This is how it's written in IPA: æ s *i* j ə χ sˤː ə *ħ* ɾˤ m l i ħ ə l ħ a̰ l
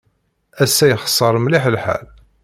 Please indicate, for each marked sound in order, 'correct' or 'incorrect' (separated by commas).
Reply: incorrect, incorrect